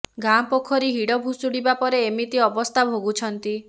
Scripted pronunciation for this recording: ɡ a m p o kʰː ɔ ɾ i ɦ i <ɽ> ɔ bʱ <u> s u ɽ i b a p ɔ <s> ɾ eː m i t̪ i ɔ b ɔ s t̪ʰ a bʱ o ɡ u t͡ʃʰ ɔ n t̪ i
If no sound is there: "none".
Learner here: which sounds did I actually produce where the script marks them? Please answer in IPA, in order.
ɽ, u, none

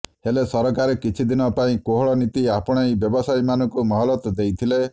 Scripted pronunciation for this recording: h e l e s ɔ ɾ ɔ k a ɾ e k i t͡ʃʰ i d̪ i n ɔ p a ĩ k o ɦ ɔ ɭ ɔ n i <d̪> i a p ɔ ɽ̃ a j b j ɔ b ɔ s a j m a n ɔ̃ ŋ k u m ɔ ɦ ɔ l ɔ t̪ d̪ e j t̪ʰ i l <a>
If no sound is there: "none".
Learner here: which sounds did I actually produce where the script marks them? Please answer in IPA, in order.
t̪, e

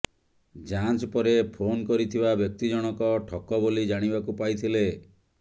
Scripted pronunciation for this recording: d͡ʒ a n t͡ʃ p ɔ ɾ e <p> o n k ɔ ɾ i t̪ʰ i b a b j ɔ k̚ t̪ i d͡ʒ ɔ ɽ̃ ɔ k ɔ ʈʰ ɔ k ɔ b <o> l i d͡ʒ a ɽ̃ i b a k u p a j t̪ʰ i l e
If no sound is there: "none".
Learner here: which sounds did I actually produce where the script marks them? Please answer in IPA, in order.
pʰ, o

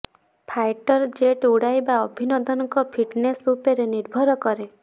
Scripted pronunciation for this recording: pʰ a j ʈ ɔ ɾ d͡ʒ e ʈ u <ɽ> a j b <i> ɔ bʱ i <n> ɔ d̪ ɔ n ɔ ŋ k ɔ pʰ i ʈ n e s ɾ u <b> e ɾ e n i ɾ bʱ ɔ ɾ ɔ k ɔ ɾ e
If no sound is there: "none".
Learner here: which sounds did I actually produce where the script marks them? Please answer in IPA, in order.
ɽ, a, n, p

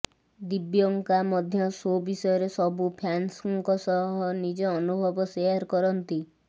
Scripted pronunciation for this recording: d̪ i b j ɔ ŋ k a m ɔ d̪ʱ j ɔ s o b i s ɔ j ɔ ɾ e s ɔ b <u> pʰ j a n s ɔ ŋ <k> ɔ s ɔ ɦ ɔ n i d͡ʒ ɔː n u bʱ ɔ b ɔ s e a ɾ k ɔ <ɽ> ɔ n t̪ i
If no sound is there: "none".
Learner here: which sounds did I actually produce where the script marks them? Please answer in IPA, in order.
u, k, ɾ

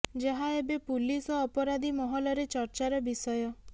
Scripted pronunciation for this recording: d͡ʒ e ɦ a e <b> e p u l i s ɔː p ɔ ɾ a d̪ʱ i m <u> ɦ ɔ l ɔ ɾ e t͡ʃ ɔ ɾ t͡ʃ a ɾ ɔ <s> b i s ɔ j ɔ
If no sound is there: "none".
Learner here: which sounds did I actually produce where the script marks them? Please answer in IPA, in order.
b, ɔ, none

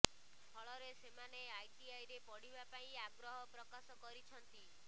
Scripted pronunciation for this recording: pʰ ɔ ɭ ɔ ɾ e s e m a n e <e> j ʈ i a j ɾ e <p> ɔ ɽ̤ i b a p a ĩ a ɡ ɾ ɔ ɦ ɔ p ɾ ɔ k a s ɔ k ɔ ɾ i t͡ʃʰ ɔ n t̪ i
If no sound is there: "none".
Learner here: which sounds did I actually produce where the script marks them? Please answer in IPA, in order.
a, p

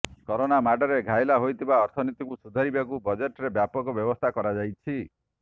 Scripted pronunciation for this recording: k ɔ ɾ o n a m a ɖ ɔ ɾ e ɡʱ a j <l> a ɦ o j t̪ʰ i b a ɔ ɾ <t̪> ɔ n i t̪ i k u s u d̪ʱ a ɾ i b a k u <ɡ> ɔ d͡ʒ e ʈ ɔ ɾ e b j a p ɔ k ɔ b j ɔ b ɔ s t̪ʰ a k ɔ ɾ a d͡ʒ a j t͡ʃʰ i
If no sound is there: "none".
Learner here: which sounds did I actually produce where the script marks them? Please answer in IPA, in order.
l, t̪ʰ, b

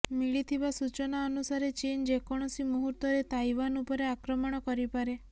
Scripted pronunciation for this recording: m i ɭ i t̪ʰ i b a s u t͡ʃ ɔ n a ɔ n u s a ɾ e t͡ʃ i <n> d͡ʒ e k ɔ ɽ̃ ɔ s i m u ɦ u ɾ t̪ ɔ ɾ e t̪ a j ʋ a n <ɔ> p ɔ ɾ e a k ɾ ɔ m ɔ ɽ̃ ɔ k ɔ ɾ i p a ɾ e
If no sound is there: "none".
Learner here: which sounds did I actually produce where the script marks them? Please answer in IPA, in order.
n, u

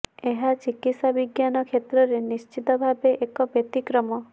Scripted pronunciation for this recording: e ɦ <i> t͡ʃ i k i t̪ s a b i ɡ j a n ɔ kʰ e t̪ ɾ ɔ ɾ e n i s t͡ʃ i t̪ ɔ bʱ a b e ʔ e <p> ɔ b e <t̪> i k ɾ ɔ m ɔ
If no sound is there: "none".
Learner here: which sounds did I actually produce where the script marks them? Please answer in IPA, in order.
a, k, t̪

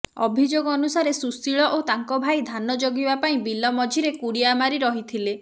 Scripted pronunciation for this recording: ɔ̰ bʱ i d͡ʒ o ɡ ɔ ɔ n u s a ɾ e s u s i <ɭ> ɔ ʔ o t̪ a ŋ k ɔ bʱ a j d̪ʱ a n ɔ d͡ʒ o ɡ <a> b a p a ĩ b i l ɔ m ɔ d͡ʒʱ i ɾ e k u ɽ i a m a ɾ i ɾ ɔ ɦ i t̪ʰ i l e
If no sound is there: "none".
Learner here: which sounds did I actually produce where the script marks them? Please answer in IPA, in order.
ɭ, i

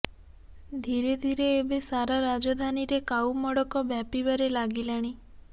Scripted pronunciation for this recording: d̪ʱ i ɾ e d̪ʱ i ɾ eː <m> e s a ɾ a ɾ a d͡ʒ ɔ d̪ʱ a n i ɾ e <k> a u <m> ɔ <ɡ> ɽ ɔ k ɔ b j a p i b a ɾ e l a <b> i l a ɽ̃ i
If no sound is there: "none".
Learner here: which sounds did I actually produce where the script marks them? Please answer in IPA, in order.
b, k, m, none, ɡ

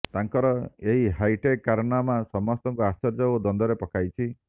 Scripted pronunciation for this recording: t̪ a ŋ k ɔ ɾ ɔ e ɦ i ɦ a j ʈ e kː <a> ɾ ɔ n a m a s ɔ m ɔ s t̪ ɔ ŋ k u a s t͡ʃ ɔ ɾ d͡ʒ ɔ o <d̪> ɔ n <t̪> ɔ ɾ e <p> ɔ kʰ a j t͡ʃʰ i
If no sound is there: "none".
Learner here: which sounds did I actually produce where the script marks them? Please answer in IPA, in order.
a, d̪, d̪, p

